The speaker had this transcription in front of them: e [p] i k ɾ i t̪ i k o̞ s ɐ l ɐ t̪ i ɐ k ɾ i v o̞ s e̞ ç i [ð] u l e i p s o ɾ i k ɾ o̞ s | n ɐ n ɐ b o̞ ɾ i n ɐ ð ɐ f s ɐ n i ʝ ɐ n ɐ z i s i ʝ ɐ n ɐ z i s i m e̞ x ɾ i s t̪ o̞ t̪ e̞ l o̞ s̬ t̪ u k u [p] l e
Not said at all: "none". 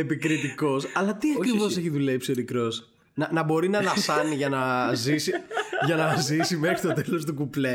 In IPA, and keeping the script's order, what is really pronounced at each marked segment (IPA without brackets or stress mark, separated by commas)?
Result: p, ð, p